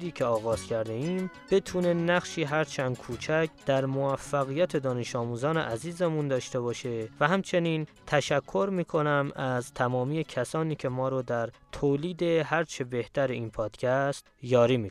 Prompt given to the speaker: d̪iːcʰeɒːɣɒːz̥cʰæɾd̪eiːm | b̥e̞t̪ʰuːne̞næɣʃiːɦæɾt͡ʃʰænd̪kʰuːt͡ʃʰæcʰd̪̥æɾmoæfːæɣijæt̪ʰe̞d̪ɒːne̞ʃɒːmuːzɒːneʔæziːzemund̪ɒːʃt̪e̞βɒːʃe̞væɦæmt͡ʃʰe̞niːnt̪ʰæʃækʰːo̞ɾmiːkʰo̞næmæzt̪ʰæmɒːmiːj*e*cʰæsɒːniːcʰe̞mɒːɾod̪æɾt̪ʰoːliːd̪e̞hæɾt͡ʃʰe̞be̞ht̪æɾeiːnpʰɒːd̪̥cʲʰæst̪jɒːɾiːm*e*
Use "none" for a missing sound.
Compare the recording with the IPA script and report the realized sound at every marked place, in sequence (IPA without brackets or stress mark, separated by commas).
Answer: e, i